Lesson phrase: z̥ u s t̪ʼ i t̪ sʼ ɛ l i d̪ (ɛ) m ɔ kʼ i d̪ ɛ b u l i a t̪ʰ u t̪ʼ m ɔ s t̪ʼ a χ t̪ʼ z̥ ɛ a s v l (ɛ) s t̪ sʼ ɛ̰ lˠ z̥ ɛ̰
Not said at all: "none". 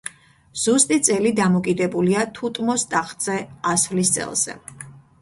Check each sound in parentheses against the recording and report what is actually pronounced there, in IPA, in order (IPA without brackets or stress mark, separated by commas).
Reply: a, i